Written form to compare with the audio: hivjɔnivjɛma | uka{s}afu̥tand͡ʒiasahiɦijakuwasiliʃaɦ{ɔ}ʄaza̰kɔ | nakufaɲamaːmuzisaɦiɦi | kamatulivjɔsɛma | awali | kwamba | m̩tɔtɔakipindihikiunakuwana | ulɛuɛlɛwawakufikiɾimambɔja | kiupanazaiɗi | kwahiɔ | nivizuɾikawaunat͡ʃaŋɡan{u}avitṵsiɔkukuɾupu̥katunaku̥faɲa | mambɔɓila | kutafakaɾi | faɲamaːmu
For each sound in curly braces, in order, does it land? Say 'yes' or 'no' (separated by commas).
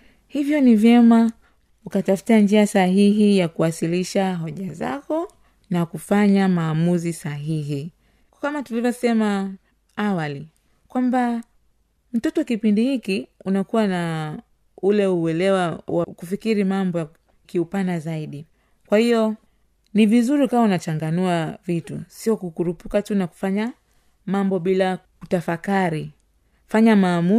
no, yes, yes